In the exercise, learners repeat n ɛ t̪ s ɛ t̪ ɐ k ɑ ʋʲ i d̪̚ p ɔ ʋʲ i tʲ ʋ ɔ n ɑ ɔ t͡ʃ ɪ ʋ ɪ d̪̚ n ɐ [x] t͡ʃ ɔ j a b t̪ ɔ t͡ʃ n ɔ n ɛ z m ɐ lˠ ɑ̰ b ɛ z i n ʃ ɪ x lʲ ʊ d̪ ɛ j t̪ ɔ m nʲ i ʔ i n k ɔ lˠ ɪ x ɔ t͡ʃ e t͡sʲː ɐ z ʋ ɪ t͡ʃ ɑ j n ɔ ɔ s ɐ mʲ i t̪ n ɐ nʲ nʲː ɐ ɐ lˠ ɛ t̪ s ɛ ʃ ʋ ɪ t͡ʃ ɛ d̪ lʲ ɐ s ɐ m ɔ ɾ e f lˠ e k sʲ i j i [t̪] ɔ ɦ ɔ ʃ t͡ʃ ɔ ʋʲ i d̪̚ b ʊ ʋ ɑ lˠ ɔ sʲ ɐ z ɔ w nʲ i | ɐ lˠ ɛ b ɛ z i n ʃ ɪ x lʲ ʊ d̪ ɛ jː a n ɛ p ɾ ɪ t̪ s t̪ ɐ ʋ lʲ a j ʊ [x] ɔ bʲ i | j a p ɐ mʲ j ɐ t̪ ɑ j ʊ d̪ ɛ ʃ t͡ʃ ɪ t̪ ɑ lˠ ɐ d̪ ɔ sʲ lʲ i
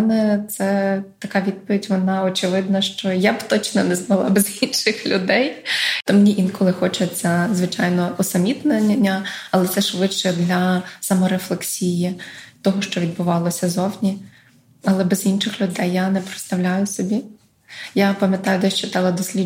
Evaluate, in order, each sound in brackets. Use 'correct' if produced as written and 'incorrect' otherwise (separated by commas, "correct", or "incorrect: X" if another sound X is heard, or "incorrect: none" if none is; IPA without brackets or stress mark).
incorrect: ʃ, correct, incorrect: s